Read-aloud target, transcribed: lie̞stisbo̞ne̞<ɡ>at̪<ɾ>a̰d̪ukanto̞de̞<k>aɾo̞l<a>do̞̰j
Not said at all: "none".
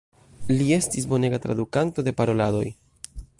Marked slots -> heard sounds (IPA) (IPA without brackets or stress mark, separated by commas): ɡ, ɾ, p, a